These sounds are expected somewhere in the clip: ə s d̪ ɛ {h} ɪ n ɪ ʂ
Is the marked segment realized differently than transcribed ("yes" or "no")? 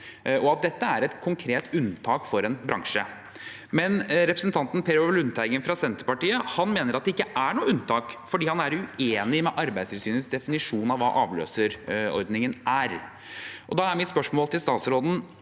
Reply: yes